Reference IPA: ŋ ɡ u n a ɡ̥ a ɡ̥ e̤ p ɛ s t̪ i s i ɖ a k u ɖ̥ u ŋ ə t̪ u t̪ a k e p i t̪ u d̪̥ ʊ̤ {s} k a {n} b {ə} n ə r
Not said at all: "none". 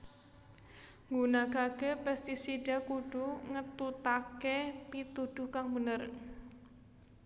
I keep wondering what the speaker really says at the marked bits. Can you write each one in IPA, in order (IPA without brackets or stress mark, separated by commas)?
h, ŋ, ə